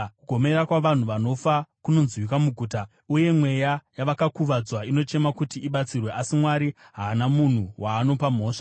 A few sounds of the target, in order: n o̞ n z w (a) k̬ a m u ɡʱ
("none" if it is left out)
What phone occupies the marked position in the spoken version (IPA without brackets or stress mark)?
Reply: i